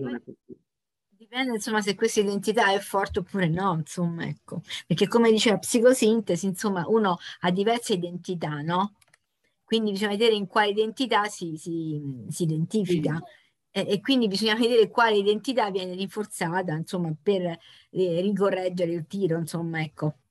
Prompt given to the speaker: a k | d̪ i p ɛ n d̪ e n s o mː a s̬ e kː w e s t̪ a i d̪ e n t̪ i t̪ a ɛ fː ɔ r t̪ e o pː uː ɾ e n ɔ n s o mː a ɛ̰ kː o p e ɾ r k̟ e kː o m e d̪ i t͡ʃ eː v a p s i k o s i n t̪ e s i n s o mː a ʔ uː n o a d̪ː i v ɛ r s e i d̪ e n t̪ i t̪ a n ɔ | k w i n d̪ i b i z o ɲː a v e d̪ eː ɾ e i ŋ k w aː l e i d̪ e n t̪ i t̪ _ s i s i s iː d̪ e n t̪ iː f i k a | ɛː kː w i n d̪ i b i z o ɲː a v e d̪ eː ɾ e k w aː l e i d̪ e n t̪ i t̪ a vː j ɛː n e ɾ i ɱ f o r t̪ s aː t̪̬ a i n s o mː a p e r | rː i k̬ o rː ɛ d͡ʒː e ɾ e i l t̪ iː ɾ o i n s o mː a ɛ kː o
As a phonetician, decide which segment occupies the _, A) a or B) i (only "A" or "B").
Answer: A